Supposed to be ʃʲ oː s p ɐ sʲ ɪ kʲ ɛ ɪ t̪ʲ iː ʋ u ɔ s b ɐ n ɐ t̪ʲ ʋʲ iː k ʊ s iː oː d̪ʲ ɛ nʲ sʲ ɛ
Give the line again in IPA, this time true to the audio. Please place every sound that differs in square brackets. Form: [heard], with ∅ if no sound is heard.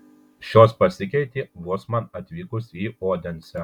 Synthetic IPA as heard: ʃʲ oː s p ɐ sʲ ɪ kʲ ɛ ɪ t̪ʲ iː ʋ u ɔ s [m] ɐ n ɐ t̪ʲ ʋʲ iː k ʊ s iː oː d̪ʲ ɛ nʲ sʲ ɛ